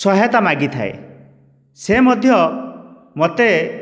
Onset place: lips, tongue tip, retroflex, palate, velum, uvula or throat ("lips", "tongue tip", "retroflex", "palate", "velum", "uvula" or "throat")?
tongue tip